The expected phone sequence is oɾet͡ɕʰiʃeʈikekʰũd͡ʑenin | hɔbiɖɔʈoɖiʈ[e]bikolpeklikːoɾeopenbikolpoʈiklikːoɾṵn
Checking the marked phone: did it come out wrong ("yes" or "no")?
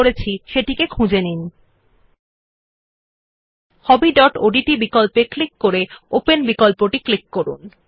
yes